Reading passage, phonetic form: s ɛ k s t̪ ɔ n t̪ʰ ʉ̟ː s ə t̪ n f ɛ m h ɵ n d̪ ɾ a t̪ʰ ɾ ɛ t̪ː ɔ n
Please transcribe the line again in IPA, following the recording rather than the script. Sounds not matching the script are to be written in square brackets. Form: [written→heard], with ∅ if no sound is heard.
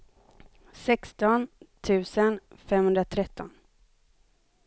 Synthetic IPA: s ɛ k s t̪ ɔ n t̪ʰ ʉ̟ː s ə [t̪→∅] n f ɛ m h ɵ n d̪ ɾ a t̪ʰ ɾ ɛ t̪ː ɔ n